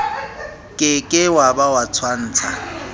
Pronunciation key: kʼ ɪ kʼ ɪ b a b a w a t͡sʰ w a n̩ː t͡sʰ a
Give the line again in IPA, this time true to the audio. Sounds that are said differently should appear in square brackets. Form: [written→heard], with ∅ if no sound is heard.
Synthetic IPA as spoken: kʼ ɪ kʼ ɪ [b→w] a b a w a t͡sʰ w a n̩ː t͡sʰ a

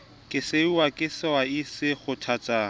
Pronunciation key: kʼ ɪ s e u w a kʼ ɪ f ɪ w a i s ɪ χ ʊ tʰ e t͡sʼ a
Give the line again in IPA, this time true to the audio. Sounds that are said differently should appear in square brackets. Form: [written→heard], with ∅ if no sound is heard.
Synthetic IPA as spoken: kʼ ɪ s e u w a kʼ ɪ [f→s] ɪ w a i s ɪ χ ʊ tʰ [e→a] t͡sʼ a

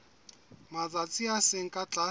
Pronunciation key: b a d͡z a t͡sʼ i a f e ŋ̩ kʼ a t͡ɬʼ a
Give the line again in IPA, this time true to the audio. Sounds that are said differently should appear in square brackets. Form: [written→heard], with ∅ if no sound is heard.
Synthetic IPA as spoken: [b→m] a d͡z a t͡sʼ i a [f→s] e ŋ̩ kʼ a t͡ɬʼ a

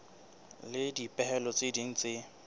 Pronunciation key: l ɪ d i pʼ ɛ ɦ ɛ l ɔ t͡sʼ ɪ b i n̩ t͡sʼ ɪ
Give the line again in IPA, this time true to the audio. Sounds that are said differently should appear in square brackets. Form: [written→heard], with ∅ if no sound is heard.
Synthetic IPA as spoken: l ɪ d i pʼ ɛ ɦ ɛ l ɔ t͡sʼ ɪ [b→d] i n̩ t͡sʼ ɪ

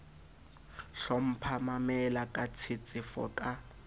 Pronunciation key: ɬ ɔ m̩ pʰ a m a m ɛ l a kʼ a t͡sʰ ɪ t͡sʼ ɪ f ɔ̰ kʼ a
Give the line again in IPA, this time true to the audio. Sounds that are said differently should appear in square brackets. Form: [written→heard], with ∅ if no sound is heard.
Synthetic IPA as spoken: ɬ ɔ m̩ pʰ a m a m ɛ l a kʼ a t͡sʰ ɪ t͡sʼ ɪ f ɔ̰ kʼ a

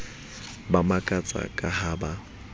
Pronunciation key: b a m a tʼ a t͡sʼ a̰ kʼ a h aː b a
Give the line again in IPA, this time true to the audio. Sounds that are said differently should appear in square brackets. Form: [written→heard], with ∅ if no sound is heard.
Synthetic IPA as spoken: b a m a [tʼ→kʼ] a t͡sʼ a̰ kʼ a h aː b a

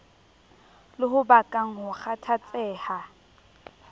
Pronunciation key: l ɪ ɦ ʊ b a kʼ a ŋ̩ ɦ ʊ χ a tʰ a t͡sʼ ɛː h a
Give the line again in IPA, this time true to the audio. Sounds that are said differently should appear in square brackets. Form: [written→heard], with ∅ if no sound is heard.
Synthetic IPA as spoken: l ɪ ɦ ʊ b a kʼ a ŋ̩ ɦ ʊ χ a tʰ a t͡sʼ ɛː h a

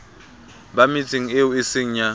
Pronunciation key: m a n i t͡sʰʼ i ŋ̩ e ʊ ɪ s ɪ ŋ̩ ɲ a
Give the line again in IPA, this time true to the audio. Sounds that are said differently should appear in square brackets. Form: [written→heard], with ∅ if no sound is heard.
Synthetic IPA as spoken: [m→b] a [n→m] i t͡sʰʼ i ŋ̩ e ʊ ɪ s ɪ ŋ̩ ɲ a

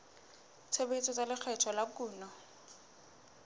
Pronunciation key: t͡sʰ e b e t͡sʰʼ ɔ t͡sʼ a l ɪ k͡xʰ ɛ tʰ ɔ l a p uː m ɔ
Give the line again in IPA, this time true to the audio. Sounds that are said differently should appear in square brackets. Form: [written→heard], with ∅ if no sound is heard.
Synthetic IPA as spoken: t͡sʰ e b e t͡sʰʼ ɔ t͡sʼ a l ɪ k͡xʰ ɛ tʰ ɔ l a [p→k] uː [m→n] ɔ

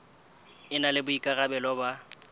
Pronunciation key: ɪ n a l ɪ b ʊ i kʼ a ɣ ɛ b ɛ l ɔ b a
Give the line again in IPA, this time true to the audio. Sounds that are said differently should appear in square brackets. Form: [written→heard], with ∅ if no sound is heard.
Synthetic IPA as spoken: ɪ n a l ɪ b ʊ i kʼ a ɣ [ɛ→a] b ɛ l ɔ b a

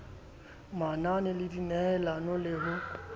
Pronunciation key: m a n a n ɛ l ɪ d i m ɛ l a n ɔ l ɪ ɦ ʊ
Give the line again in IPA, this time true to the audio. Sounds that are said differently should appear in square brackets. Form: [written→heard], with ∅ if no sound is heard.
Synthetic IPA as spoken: m a n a n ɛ l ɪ d i [m→n] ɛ l a n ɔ l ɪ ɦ ʊ

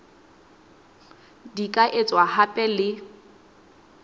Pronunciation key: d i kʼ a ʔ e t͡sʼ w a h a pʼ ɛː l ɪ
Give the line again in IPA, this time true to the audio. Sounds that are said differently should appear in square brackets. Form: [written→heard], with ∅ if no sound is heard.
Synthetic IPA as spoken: d i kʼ a ʔ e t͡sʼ w a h a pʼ [ɛː→ɛ] l ɪ

